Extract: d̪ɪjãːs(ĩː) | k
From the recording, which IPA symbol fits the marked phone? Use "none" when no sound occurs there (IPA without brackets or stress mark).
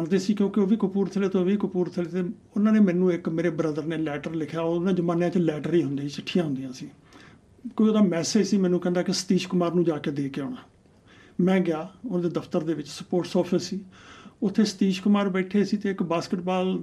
iː